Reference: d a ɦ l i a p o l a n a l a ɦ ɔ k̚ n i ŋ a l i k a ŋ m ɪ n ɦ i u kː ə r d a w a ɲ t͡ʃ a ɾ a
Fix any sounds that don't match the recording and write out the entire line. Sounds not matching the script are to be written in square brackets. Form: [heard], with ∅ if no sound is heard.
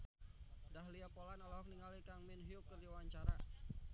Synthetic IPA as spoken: d a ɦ l i a p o l a n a l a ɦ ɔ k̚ n i ŋ a l i k a ŋ m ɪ n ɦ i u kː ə r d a w a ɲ t͡ʃ a ɾ a